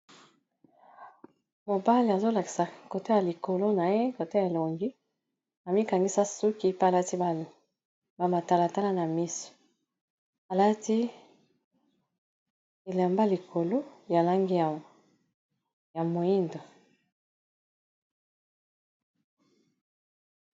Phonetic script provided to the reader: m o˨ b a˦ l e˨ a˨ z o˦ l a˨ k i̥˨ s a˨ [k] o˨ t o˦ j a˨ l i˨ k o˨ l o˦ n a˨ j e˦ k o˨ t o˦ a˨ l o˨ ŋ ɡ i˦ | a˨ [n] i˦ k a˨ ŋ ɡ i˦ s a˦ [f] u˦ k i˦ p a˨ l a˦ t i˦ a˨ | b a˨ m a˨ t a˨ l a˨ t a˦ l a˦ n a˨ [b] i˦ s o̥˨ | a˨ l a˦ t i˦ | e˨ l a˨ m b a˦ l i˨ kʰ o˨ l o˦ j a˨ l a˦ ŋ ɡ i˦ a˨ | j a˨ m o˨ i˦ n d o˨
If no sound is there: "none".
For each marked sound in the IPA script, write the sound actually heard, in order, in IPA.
k, m, s, m

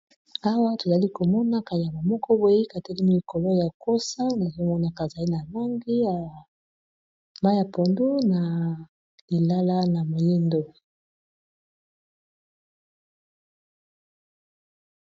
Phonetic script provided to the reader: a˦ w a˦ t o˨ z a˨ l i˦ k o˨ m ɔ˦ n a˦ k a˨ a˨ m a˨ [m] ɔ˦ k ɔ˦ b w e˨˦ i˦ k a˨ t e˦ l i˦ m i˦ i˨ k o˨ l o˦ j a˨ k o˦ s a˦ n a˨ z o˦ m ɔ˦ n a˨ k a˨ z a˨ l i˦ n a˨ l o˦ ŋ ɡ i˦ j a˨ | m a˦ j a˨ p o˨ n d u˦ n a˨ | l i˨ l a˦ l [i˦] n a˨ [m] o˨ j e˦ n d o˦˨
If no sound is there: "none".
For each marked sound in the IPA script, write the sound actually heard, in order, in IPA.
m, a˦, m

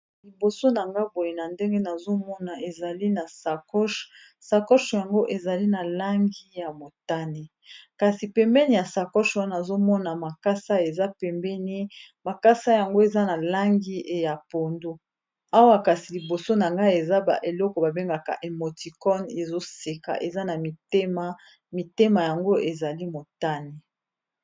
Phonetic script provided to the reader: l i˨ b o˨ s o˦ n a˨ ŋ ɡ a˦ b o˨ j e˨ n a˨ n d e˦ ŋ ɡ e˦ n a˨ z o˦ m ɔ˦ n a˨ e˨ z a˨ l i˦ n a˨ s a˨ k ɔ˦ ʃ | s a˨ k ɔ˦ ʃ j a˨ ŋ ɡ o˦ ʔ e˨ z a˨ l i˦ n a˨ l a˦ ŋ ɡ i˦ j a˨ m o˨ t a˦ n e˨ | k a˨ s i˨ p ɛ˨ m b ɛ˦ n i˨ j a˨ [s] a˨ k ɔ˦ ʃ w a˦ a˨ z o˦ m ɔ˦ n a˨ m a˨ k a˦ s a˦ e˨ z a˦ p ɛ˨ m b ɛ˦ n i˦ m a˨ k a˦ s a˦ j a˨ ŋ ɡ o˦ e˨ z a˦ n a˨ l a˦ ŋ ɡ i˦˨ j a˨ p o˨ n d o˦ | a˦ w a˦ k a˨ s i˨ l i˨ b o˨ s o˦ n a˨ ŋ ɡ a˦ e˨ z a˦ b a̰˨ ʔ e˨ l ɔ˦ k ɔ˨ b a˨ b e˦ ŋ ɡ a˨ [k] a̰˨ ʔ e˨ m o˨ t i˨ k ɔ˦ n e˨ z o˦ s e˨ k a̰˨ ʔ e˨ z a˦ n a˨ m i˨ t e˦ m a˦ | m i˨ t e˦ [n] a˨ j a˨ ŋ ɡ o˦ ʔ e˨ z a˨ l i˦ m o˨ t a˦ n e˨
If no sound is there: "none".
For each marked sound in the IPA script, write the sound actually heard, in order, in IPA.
s, k, m

